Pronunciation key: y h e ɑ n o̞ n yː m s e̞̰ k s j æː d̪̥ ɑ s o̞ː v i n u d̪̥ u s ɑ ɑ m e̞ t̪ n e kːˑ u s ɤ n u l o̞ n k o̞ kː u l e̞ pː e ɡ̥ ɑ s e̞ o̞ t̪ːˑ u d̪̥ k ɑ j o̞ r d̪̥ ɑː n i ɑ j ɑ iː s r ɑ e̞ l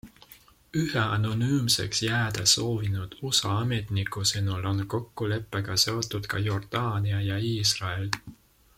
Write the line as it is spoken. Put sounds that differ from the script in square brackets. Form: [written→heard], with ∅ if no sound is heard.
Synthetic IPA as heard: y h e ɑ n o̞ n yː m s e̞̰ k s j æː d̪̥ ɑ s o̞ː v i n u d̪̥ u s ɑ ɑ m e̞ t̪ n [e→i] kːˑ u s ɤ n u l o̞ n k o̞ kː u l e̞ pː e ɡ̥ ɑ s e̞ o̞ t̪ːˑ u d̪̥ k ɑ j o̞ r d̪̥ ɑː n i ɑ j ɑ iː s r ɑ e̞ l